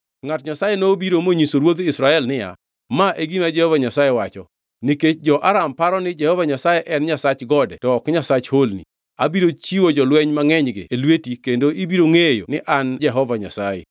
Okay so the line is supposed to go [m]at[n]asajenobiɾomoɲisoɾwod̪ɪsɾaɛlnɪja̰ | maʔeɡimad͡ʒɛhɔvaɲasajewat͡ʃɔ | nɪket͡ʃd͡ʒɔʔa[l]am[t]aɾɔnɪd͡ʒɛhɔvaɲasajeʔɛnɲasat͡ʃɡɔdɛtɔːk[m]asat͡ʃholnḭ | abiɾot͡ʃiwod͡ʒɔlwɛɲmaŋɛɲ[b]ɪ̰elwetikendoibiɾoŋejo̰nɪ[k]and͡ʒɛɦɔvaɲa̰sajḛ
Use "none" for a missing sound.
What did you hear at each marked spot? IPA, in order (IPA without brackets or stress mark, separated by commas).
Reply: ŋ, ɲ, ɾ, p, ɲ, ɡ, ʔ